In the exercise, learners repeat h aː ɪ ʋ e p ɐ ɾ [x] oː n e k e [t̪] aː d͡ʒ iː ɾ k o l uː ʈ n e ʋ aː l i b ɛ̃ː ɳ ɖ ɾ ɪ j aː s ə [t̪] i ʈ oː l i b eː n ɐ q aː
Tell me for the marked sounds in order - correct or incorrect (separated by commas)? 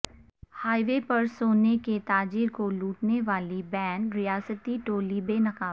incorrect, correct, correct